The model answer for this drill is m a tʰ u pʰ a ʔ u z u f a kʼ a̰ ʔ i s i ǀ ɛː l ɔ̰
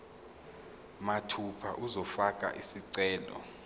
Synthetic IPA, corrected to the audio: m a tʰ u pʰ a ʔ u z ɔ f a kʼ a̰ ʔ i s i ǀ ɛː l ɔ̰